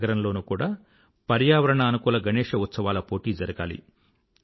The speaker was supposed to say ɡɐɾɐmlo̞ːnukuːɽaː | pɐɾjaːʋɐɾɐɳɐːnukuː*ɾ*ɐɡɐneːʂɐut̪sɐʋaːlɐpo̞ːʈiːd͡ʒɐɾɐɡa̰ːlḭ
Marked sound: incorrect: l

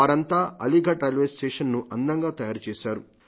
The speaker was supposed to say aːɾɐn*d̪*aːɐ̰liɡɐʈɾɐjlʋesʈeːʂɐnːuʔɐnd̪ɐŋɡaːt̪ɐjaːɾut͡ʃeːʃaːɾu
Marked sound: incorrect: t̪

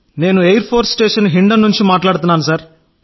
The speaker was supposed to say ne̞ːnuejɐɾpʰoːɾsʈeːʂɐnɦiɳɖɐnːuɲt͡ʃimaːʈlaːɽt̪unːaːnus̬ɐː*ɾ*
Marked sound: correct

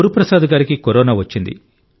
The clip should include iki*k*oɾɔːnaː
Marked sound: correct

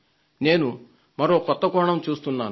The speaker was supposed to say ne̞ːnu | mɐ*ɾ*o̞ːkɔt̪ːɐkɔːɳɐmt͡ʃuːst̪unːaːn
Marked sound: correct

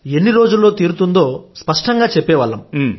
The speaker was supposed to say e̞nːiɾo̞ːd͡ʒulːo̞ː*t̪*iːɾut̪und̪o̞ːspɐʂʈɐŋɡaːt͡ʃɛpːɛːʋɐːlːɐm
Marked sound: correct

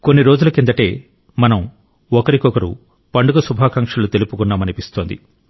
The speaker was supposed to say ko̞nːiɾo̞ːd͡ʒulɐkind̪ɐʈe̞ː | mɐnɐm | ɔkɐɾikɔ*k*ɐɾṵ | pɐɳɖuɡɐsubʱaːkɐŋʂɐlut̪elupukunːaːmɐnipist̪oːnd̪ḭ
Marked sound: correct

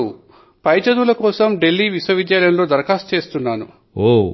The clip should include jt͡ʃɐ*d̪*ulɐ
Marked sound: correct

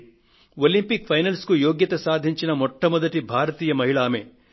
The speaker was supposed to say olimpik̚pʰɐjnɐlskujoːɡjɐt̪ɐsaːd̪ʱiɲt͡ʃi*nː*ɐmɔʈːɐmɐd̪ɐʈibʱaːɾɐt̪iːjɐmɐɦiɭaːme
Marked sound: incorrect: n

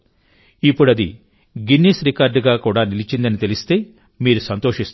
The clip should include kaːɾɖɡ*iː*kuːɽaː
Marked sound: incorrect: aː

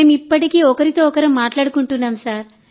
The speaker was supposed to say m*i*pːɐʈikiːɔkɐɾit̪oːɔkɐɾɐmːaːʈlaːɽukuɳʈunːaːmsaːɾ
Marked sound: correct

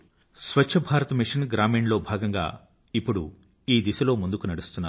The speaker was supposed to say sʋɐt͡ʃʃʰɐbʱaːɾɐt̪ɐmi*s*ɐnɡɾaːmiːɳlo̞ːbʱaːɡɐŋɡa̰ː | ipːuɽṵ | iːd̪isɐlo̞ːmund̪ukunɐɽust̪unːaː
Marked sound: incorrect: ʂ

